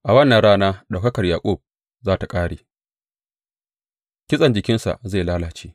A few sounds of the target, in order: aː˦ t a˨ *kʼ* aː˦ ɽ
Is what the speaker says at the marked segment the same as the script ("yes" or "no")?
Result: yes